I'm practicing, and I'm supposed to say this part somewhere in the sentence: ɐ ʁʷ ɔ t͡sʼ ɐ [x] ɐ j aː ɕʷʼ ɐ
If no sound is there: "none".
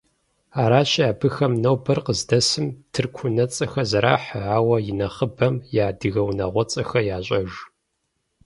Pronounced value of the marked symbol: x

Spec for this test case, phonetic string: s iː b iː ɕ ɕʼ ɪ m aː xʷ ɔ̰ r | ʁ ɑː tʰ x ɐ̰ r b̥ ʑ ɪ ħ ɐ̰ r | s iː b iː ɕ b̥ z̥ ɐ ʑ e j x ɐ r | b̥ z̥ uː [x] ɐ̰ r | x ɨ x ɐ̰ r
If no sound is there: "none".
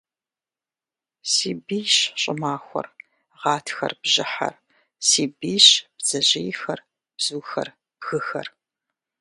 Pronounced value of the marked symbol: x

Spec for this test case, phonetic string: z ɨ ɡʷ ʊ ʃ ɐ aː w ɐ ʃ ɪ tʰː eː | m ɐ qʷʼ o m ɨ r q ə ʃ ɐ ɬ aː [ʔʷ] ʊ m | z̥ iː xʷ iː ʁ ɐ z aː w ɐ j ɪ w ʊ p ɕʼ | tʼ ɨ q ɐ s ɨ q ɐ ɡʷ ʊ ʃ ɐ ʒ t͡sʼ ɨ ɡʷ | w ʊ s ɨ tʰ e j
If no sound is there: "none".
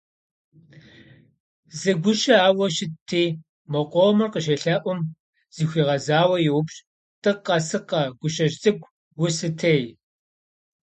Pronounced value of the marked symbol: ʔʷ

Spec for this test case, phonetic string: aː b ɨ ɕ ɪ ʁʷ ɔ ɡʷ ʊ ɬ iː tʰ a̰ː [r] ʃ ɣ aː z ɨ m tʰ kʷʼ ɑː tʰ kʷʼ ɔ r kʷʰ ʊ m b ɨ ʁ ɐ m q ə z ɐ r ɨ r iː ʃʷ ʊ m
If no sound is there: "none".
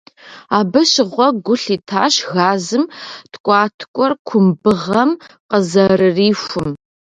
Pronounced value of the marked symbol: none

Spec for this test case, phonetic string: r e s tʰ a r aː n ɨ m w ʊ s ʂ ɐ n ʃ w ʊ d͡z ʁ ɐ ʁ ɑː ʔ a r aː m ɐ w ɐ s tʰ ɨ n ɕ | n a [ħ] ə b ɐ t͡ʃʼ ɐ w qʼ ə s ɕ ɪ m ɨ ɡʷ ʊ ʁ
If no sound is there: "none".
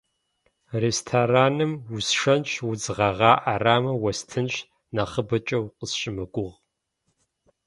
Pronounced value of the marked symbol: χ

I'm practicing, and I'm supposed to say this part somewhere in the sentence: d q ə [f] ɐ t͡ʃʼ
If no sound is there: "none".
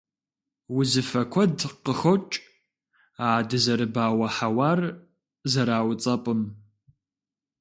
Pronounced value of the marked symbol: x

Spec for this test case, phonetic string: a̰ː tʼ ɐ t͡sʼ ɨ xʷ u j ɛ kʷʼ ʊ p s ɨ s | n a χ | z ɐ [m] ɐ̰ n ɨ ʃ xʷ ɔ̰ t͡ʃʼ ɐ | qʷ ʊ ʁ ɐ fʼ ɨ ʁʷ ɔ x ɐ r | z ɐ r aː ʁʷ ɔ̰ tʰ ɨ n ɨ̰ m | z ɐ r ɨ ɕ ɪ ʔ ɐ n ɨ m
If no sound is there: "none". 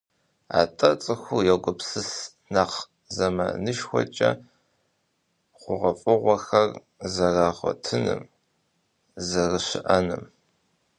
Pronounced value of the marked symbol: m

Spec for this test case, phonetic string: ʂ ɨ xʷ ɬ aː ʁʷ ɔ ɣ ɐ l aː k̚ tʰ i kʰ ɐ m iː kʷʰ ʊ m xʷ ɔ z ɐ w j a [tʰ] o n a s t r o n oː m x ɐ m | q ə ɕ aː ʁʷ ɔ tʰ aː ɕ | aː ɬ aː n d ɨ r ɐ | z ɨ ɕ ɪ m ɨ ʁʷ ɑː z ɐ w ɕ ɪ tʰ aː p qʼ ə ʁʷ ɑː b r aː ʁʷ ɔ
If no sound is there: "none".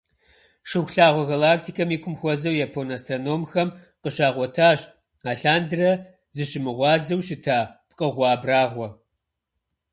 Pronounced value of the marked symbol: pʰ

